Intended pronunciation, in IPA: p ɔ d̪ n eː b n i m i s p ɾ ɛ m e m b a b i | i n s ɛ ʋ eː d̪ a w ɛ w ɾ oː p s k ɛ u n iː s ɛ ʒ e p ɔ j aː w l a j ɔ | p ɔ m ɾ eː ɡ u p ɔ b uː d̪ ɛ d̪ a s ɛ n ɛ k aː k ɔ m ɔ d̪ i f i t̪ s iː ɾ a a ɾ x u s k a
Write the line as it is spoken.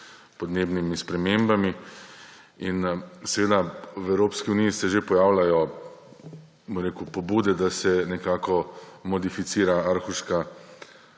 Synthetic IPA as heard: p ɔ d̪ n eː b n i m i s p ɾ ɛ m e m b a m i | i n s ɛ ʋ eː d̪ a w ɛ w ɾ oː p s k i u n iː s ɛ ʒ e p ɔ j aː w l a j ɔ | b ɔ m ɾ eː k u p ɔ b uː d̪ ɛ d̪ a s ɛ n ɛ k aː k ɔ m ɔ d̪ i f i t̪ s iː ɾ a a ɾ x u ʃ k a

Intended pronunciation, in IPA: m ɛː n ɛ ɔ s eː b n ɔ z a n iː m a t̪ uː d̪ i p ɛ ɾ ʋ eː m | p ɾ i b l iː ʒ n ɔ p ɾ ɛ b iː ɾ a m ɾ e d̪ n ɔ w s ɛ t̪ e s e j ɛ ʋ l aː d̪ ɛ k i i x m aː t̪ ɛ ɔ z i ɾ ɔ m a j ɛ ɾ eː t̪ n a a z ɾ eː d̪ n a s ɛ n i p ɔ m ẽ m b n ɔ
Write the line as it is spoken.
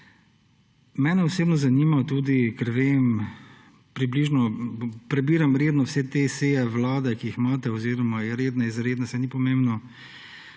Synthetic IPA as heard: m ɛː n ɛ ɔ s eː b n ɔ z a n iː m a t̪ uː d̪ i k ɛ ɾ ʋ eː m | p ɾ i b l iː ʒ n ɔ p ɾ ɛ b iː ɾ a m ɾ e d̪ n ɔ w s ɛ t̪ e s e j ɛ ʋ l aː d̪ ɛ k i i x m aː t̪ ɛ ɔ z i ɾ ɔ m a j ɛ ɾ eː d̪ n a i z ɾ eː d̪ n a s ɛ n i p ɔ m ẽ m b n ɔ

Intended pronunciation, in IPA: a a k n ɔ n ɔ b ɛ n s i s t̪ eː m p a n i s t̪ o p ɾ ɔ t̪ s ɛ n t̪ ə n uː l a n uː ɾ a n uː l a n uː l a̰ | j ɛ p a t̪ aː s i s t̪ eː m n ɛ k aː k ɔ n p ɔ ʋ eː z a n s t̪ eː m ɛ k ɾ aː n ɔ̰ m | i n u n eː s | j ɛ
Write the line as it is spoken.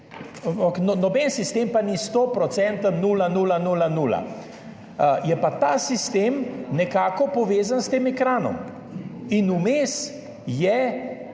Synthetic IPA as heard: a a k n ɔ n ɔ b ɛ n s i s t̪ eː m p a n i s t̪ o p ɾ ɔ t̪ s ɛ n t̪ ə n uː l a n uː l a n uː l a n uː l a̰ | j ɛ p a t̪ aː s i s t̪ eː m n ɛ k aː k ɔ p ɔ ʋ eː z a n s t̪ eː m ɛ k ɾ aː n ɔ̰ m | i n u m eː s | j ɛ

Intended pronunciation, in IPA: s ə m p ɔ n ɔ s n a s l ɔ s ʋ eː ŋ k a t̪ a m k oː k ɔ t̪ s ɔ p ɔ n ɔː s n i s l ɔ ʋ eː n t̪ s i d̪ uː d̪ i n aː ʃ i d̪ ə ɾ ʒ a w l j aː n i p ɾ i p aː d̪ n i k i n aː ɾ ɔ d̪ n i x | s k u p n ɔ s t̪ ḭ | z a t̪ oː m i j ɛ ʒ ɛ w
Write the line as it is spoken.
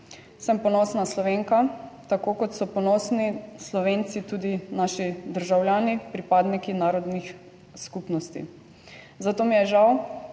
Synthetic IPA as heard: s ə m p ɔ n ɔ s n a s l ɔ ʋ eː ŋ k a t̪ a k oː k ɔ t̪ s ɔ p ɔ n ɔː s n i s l ɔ ʋ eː n t̪ s i t̪ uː d̪ i n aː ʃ i d̪ ə ɾ ʒ a w l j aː n i p ɾ i p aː d̪ n i k i n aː ɾ ɔ d̪ n i x | s k u p n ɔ s t̪ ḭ | z a t̪ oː m i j ɛ ʒ a w

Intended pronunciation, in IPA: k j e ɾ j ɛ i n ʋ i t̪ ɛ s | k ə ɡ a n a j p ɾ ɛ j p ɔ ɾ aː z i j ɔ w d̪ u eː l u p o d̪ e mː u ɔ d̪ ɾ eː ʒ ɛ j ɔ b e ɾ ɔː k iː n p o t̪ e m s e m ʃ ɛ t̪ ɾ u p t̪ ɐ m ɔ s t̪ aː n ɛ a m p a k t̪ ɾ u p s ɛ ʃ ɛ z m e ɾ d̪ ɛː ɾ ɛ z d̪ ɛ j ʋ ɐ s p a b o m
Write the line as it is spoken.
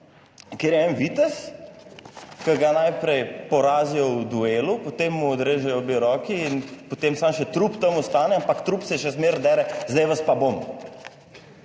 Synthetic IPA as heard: k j e ɾ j ɛ ɛ n ʋ i t̪ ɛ s | k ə ɡ a n a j p ɾ ɛ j p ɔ ɾ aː z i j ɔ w d̪ u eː l u p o t̪ e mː u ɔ d̪ ɾ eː ʒ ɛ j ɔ b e ɾ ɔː k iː n p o t̪ e m s a m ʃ ɛ t̪ ɾ u p t̪ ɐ m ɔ s t̪ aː n ɛ a m p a k t̪ ɾ u p s ɛ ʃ ɛ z m e ɾ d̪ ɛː ɾ ɛ z d̪ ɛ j ʋ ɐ s p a b o m

